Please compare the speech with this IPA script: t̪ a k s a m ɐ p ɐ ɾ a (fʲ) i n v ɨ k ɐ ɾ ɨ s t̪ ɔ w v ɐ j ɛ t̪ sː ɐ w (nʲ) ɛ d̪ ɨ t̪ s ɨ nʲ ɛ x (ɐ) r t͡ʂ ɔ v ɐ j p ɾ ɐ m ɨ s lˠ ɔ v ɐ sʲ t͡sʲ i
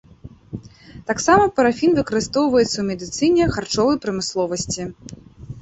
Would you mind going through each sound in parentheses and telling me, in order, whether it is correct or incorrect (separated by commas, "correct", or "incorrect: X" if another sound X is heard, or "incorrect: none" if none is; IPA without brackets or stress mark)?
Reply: correct, incorrect: mʲ, incorrect: a